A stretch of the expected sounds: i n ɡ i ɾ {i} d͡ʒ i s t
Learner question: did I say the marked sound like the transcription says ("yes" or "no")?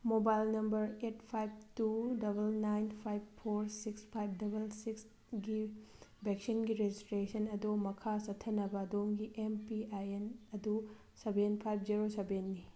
no